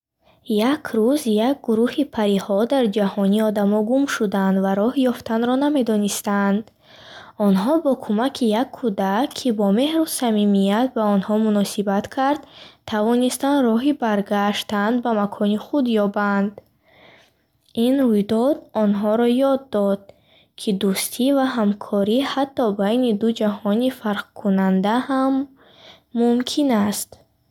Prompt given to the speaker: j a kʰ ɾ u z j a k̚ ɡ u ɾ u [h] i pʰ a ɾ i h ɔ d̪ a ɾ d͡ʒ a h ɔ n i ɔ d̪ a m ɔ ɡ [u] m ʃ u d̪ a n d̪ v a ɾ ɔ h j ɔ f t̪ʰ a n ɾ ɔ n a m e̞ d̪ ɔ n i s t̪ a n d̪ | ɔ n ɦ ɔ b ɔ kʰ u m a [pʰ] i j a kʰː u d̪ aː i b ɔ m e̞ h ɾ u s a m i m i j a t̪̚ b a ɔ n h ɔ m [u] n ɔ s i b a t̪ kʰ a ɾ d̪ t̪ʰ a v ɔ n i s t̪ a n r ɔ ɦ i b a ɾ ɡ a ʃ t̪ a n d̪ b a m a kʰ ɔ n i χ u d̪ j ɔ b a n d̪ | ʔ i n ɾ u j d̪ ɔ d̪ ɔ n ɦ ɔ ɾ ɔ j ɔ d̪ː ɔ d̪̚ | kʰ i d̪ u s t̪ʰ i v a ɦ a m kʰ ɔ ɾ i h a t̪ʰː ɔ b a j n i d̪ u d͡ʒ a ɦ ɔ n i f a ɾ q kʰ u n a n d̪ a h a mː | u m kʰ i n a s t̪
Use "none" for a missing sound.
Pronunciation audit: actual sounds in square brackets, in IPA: h, u, kʰ, u

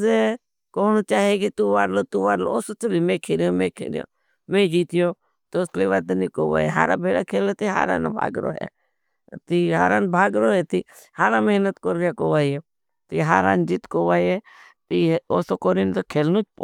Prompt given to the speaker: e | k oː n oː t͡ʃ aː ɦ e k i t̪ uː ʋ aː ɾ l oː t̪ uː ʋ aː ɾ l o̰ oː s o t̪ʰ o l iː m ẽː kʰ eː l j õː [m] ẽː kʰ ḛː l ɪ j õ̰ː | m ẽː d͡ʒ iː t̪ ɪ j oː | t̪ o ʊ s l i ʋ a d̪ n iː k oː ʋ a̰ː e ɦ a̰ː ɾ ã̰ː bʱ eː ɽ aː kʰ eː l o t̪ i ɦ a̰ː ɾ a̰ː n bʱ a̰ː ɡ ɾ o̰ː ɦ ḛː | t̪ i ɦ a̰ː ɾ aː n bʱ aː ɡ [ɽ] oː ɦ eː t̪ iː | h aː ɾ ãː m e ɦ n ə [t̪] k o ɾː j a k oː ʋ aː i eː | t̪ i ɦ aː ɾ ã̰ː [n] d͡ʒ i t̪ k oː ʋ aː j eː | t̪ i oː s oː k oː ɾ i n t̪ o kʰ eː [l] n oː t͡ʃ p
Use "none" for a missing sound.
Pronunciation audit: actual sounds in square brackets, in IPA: m, ɾ, t̪, n, l

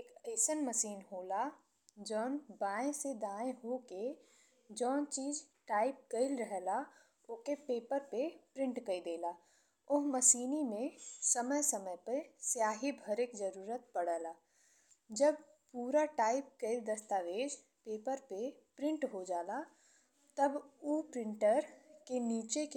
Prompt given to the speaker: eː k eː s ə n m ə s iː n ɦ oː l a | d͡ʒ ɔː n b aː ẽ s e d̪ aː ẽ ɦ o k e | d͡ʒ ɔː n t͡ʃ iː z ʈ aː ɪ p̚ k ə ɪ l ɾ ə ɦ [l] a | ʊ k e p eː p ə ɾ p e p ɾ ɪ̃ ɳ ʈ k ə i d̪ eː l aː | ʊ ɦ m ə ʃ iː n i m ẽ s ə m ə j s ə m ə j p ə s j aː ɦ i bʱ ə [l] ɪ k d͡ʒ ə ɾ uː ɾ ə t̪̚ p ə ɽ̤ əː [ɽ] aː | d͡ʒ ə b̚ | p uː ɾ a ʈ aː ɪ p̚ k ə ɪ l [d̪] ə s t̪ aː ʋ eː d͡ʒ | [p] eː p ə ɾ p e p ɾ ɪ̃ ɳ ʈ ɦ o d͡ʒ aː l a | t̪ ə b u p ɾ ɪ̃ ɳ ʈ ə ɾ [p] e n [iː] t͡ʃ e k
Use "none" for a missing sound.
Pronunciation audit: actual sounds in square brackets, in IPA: l, ɾ, l, d̪, p, k, iː

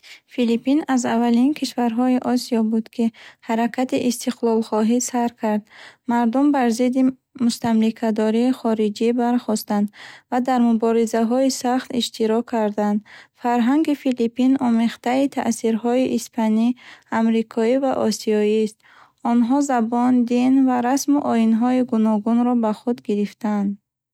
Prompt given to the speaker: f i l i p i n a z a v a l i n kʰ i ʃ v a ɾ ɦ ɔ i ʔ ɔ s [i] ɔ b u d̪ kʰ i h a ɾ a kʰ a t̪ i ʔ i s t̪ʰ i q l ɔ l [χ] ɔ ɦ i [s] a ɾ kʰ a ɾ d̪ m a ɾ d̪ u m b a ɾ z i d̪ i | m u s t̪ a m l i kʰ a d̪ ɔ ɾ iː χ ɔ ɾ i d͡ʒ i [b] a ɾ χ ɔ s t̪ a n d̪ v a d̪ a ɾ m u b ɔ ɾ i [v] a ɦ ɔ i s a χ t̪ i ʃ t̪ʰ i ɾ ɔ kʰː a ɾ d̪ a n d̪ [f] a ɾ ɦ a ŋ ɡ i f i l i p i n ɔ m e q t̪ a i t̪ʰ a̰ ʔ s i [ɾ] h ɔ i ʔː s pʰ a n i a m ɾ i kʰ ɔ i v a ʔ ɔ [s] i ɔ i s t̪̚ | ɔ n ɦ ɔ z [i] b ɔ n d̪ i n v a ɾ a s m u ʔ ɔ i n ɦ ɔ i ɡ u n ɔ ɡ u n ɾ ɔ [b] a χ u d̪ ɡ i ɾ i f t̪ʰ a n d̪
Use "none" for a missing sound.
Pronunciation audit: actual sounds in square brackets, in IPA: i, χ, s, b, z, f, ɾ, s, a, b

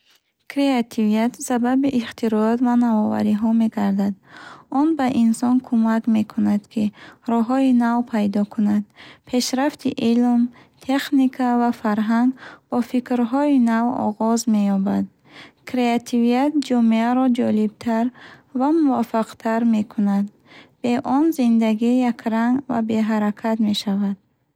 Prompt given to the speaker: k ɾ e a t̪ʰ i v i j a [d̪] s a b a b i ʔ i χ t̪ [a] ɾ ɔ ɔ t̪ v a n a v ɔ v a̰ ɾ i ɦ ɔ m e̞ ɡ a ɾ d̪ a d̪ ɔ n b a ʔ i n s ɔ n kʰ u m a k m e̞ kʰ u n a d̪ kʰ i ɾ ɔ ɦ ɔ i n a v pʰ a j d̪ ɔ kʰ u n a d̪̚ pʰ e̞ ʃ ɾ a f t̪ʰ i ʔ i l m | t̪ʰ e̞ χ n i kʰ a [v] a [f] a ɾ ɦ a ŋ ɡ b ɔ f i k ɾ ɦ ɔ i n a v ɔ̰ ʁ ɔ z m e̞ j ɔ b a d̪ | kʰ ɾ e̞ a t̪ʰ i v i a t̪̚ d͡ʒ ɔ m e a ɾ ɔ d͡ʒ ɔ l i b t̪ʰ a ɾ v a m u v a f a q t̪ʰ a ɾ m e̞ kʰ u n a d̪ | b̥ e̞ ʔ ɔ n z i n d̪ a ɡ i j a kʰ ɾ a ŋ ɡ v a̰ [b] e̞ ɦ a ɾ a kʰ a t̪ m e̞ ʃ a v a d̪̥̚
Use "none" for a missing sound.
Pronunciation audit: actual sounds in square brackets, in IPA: t̪, i, v, f, b

